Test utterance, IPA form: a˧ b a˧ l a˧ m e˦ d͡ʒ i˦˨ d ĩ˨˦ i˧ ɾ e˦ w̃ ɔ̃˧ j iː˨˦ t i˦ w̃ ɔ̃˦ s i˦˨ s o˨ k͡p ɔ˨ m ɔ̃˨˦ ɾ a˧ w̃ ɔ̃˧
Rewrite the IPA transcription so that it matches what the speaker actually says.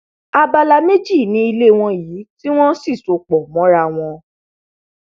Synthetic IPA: a˧ b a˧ l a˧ m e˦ d͡ʒ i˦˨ n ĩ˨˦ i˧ l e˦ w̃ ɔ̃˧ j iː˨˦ t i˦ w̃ ɔ̃˦ s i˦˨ s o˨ k͡p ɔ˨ m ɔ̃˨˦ ɾ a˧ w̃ ɔ̃˧